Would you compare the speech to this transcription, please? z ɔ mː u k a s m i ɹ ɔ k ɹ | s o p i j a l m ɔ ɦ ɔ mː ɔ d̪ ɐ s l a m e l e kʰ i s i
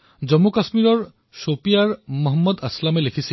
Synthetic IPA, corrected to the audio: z ɔ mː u k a s m i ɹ ɔ ɹ | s o p i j a ɹ m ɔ ɦ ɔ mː ɔ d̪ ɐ s l a m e l e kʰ i s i

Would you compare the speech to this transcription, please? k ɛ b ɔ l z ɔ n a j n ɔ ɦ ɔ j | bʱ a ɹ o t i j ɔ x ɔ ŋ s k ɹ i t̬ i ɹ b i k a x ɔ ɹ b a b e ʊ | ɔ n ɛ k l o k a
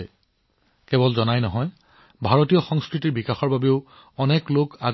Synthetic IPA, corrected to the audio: k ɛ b ɔ l z ɔ n a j n ɔ ɦ ɔ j | bʱ a ɹ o t i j ɔ x ɔ ŋ s k ɹ i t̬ i ɹ b i k a x ɔ ɹ b a b e ʊ | ɔ n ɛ k l o k a

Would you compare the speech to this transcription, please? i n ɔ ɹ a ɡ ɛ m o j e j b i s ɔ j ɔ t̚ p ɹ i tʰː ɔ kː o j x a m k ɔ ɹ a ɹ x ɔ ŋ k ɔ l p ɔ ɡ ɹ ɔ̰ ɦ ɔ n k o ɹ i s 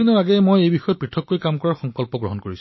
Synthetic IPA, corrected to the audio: i n ɔ ɹ a ɡ ɛ m o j e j b i x ɔ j ɔ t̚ p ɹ i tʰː ɔ kː o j k a m k ɔ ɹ a ɹ x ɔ ŋ k ɔ l p ɔ ɡ ɹ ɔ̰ ɦ ɔ n k o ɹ i s

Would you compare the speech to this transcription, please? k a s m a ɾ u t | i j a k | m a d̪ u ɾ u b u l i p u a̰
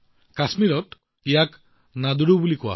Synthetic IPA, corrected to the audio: k a s m i ɾ ɔ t | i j a k | n a d̪ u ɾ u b u l i k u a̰

